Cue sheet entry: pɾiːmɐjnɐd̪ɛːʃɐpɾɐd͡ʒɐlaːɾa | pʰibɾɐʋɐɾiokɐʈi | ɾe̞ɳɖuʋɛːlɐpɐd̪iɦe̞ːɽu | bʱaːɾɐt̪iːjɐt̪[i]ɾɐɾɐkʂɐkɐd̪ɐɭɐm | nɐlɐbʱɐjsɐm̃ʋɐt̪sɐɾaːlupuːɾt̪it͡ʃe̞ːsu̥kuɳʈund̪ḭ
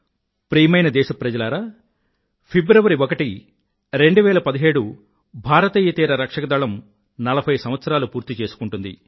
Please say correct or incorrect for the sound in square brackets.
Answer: incorrect